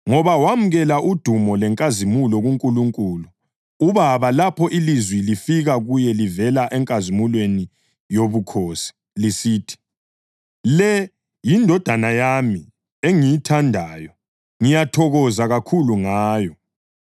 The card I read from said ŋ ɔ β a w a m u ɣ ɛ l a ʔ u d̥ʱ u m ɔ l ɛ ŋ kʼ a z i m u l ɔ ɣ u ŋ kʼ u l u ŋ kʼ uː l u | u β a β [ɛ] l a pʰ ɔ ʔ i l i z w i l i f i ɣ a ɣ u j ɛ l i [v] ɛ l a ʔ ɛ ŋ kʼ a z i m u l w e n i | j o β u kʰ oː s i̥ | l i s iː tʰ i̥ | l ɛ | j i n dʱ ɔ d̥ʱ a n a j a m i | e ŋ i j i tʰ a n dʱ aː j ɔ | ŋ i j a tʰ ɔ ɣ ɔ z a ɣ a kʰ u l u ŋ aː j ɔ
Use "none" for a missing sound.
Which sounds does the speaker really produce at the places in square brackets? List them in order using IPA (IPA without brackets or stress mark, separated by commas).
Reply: a, v